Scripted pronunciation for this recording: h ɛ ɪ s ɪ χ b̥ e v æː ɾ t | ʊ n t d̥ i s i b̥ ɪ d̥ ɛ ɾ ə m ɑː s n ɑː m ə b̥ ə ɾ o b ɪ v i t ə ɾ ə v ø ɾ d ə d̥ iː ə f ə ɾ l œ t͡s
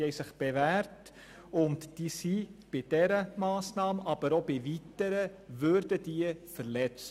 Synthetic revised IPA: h ɛ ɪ s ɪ χ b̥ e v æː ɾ t | ʊ n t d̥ i s i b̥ ɪ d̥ ɛ ɾ ə m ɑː s n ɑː m ɑ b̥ ə ɾ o b ɪ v i t ə ɾ ə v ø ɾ d ə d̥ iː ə f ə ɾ l ɛ t͡s